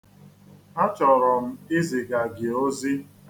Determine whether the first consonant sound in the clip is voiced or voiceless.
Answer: voiceless